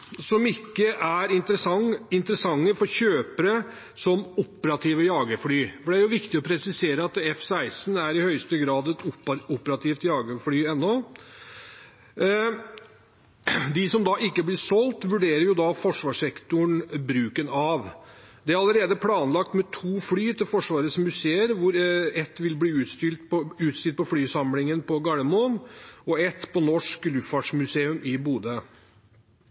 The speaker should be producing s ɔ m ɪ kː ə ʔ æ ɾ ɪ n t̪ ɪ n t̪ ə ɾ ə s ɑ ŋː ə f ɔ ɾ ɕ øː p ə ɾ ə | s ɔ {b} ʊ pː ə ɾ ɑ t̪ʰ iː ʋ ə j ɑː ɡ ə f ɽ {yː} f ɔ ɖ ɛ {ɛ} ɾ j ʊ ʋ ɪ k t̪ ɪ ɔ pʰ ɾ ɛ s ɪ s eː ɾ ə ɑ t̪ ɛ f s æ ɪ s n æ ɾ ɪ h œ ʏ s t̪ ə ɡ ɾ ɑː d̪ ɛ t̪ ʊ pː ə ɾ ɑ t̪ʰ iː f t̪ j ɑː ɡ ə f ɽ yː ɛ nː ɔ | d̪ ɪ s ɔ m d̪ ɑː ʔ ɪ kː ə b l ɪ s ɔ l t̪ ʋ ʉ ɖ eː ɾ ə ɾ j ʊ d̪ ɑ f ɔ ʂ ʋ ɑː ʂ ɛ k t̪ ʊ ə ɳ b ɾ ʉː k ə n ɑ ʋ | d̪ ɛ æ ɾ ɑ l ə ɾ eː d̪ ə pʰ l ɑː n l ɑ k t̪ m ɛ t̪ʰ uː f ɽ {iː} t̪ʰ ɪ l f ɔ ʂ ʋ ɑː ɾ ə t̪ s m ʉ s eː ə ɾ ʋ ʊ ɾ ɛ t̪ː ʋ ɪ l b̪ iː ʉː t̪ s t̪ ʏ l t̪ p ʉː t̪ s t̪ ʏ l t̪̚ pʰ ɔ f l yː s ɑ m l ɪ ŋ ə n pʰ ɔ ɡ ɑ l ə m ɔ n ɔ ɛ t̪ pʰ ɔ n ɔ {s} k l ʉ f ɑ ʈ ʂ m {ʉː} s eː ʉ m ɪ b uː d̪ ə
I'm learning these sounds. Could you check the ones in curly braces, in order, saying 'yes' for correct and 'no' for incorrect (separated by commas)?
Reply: no, yes, no, no, no, no